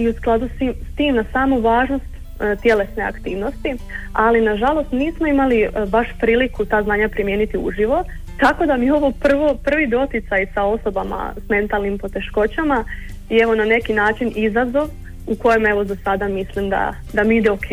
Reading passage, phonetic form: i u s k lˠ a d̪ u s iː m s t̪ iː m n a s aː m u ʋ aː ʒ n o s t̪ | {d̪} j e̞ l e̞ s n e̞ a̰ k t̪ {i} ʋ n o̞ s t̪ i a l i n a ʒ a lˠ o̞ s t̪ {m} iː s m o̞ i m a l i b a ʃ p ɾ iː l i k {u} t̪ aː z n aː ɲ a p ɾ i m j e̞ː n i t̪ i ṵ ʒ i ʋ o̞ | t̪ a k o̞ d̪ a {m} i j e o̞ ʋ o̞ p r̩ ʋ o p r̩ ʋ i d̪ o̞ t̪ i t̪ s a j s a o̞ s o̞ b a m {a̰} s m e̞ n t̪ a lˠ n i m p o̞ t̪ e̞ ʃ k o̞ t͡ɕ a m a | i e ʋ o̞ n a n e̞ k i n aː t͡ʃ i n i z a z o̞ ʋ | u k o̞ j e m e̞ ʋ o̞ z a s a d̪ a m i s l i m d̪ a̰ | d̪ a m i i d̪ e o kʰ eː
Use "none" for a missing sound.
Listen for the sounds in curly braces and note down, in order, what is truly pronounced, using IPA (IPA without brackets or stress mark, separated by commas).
t̪, iː, n, u, m, a̰